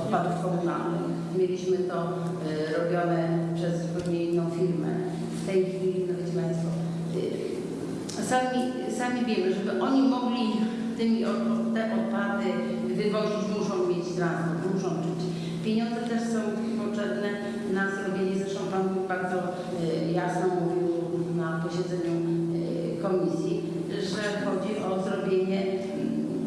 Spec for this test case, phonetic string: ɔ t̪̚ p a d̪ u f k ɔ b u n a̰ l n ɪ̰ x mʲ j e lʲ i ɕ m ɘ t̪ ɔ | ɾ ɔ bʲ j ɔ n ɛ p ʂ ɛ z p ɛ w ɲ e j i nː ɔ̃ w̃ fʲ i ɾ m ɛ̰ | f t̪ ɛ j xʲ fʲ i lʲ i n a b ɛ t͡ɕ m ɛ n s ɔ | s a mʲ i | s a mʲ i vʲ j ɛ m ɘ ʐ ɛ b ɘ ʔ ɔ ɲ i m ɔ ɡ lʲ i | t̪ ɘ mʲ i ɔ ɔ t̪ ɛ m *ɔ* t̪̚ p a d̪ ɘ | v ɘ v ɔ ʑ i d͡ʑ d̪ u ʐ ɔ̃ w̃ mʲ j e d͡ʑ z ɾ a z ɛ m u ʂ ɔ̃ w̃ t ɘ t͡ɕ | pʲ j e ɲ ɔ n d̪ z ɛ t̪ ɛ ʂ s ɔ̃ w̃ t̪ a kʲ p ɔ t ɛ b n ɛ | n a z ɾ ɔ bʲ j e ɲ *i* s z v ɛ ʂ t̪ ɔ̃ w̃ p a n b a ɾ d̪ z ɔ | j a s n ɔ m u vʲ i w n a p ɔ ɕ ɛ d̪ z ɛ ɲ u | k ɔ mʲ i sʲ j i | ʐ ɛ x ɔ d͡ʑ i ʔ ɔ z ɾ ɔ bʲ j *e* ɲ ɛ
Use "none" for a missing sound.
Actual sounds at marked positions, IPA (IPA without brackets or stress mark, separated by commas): ɔ, ɛ, e